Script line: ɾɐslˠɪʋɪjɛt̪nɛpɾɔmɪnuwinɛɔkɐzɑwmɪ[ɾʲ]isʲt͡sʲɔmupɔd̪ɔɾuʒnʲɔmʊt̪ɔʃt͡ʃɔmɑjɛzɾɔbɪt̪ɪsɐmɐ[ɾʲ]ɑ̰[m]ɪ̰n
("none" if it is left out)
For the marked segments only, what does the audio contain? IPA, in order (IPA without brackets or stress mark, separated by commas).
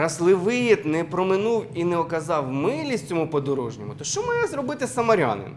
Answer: lʲ, ɾʲ, n